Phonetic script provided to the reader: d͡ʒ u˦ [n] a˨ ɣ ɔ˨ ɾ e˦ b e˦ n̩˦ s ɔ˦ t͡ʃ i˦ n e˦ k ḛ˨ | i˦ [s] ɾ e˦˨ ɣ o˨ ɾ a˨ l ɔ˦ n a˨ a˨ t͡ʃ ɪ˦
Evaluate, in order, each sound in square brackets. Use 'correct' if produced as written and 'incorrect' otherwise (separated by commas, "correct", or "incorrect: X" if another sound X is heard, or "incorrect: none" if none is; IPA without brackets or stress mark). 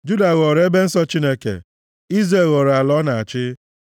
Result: incorrect: d, incorrect: z